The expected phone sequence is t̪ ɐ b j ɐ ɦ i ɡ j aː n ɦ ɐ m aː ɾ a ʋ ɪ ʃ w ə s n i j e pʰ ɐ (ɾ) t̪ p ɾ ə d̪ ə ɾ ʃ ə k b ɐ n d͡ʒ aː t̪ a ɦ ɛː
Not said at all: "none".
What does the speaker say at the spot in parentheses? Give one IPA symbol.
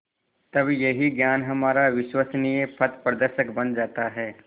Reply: none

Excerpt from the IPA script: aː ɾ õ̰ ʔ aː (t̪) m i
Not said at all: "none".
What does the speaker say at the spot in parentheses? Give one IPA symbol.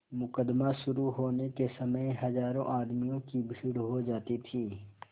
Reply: d̪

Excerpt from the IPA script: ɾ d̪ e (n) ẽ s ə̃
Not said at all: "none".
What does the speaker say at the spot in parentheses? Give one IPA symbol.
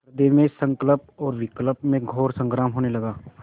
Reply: m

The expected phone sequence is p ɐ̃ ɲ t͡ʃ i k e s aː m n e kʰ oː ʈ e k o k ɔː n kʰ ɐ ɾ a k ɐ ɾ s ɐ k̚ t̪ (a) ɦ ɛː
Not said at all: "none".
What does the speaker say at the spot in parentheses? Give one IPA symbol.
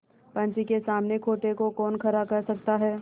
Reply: a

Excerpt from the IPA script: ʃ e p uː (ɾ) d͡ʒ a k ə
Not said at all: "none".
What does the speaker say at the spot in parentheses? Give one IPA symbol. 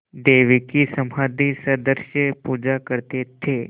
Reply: none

